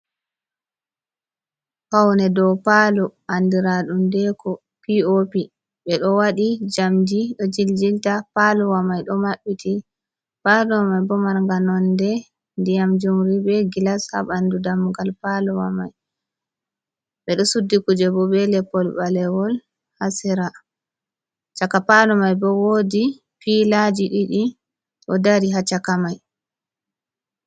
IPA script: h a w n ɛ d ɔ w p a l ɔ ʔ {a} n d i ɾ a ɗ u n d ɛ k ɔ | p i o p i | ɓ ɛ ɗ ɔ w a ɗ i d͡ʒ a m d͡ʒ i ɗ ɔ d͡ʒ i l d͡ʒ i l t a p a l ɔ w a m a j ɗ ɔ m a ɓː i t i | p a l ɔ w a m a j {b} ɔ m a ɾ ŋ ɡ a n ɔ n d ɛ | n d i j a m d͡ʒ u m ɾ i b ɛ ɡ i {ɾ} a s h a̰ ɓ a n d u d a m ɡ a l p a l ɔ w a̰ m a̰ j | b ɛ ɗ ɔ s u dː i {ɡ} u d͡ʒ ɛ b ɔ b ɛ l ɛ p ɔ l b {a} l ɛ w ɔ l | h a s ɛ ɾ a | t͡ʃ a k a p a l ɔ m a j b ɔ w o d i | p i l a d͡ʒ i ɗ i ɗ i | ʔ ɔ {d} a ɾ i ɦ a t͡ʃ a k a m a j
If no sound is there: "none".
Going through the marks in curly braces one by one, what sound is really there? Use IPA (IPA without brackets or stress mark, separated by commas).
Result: a, b, l, k, a, d